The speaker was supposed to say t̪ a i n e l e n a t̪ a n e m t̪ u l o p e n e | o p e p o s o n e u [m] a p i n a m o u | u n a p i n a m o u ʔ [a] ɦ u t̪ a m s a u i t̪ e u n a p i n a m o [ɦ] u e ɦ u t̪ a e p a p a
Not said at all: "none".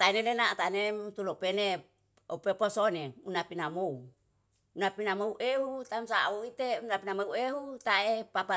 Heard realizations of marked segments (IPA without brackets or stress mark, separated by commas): n, e, none